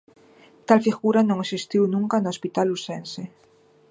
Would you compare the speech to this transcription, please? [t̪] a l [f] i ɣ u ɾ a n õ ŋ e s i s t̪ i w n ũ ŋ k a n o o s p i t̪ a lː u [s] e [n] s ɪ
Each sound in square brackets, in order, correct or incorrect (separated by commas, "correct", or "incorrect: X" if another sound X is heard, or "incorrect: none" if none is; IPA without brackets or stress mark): correct, correct, correct, correct